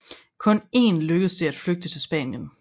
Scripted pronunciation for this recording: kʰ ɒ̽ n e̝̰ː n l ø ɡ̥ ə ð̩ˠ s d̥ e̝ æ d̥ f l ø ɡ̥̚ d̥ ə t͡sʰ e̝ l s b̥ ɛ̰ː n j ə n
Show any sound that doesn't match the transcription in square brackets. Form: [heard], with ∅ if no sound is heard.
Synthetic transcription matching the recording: kʰ [ɔ̽] n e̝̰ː n l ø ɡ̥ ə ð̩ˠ s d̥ e̝ æ d̥ f l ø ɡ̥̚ d̥ ə t͡sʰ e̝ l s b̥ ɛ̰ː n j ə n